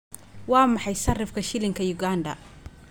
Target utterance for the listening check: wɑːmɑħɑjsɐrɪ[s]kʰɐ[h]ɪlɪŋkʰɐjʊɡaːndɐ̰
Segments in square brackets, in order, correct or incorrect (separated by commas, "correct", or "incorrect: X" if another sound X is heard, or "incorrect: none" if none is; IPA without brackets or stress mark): incorrect: f, incorrect: ʃ